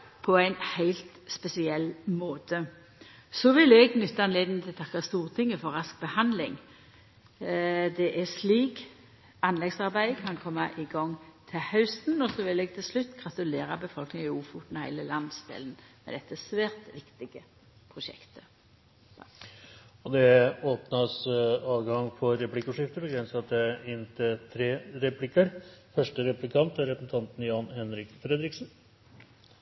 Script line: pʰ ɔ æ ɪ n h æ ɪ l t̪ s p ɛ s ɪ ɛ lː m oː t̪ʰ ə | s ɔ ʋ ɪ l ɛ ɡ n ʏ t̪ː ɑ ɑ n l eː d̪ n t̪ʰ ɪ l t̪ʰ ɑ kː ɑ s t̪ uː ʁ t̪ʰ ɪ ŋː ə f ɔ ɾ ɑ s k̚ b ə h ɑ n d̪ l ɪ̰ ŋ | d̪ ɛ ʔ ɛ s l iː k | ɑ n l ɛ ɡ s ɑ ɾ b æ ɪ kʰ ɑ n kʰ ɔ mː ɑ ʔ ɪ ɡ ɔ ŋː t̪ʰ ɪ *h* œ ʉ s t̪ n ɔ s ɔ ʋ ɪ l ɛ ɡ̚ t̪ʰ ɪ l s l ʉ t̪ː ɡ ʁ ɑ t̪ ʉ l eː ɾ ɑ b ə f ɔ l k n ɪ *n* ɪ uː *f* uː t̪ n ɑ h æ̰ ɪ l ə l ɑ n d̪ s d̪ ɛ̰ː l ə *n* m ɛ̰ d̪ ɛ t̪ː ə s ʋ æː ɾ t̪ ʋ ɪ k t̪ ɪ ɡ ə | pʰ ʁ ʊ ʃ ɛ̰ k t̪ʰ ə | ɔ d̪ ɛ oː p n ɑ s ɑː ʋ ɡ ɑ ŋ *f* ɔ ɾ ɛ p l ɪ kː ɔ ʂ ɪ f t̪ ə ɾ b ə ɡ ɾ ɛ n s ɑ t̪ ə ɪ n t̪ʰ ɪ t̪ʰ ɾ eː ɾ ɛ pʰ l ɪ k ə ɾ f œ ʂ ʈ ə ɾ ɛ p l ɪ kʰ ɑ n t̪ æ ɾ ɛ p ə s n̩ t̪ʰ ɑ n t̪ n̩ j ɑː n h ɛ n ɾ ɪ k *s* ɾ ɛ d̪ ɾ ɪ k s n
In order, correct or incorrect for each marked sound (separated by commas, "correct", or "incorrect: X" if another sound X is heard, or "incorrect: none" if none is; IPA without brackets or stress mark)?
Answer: correct, incorrect: ŋ, correct, correct, correct, incorrect: f